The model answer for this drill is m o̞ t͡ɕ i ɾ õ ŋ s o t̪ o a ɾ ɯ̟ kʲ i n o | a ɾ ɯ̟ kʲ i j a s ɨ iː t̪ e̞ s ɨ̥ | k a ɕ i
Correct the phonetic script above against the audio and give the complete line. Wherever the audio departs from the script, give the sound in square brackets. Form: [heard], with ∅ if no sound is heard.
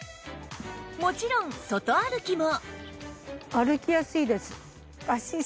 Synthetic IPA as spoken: m o̞ t͡ɕ i ɾ õ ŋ s o t̪ o a ɾ ɯ̟ kʲ i [m] o | a ɾ ɯ̟ kʲ i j a s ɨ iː [d̪] e̞ s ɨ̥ | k a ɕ i